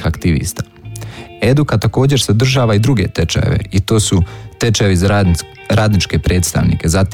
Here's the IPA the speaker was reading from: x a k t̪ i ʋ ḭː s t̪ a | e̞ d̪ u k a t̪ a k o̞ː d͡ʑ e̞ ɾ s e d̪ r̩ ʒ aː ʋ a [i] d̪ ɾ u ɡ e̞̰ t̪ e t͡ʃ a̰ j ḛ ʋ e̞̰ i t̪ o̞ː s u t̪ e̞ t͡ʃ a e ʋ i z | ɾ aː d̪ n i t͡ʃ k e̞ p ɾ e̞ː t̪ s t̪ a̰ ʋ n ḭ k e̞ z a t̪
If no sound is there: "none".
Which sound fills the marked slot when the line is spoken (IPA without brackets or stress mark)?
i